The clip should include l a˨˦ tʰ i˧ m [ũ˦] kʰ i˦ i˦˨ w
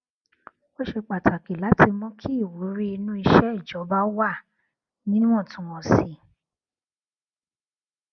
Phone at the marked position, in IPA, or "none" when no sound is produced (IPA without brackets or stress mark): ɔ̃˦